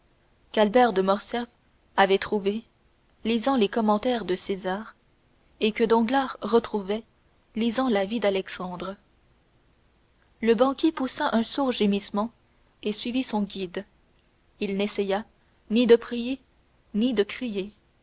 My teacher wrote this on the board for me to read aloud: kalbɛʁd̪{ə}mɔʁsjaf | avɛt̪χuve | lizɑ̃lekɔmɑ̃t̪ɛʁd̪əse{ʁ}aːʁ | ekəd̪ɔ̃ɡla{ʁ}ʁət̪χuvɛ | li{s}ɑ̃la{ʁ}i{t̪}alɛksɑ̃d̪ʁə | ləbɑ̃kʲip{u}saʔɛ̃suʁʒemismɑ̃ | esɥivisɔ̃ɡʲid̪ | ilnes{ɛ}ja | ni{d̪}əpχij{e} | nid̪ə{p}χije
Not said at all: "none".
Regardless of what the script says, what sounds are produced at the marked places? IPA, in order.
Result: ə, z, ʁ, z, v, d̪, u, ɛ, d̪, e, k

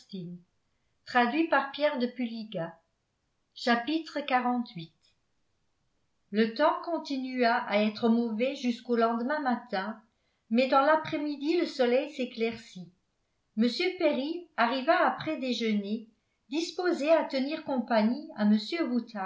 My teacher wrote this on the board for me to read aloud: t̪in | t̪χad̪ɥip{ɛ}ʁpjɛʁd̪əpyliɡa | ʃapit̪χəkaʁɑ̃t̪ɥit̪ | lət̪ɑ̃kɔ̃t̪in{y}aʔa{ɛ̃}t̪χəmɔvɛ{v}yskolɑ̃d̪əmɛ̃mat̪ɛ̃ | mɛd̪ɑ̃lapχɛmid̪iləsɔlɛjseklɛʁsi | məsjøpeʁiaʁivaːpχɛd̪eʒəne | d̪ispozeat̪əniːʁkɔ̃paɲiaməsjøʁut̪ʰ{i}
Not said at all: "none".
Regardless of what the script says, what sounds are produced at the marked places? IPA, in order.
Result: a, y, ɛ, ʒ, a

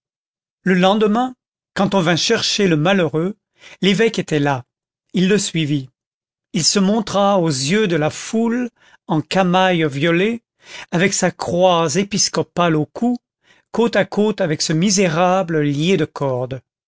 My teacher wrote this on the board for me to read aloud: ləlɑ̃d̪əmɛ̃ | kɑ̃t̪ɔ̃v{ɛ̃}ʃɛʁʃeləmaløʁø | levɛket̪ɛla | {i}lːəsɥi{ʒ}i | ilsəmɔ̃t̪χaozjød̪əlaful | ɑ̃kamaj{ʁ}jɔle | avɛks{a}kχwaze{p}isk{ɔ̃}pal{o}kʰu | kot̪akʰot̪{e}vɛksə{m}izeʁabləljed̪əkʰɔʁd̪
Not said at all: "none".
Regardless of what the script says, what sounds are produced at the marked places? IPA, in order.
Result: ɛ̃, i, v, v, a, p, ɔ, o, a, m

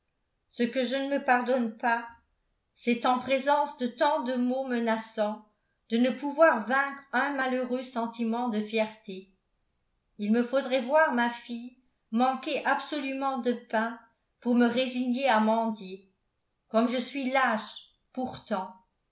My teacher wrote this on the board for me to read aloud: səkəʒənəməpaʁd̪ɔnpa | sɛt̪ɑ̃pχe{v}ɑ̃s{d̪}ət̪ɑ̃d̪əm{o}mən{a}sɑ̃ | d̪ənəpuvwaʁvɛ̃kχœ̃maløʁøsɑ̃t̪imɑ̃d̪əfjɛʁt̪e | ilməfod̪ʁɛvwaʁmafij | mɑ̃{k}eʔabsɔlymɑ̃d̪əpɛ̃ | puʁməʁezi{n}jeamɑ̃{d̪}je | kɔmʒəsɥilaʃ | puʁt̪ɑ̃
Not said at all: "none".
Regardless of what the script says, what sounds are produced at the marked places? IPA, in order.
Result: z, d̪, o, a, k, ɲ, d̪

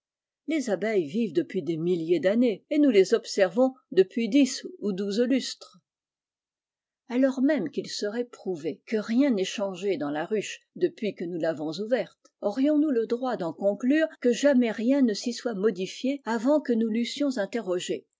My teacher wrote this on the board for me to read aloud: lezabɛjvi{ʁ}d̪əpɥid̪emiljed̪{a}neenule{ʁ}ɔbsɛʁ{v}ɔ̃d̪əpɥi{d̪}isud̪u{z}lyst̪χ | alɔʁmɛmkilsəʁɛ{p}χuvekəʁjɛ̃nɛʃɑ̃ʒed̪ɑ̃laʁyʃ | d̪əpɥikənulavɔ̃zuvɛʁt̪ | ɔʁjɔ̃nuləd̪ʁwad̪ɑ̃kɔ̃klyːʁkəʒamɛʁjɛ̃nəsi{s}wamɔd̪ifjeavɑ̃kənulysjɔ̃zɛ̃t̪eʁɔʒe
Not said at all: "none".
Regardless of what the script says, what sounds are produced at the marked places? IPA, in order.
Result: v, a, z, v, d̪, z, p, s

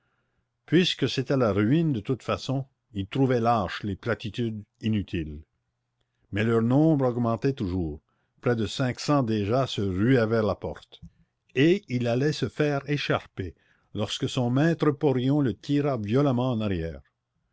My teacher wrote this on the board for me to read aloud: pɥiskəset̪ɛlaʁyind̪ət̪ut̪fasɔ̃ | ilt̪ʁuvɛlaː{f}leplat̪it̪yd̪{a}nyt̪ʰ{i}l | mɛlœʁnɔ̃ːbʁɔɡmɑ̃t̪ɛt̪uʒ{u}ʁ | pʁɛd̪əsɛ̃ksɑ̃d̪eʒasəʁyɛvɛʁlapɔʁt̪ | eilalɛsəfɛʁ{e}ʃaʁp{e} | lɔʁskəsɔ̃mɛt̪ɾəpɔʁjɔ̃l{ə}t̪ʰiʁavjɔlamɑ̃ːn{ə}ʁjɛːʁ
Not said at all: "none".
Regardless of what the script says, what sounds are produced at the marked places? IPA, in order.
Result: ʃ, i, i, uː, e, e, ə, a

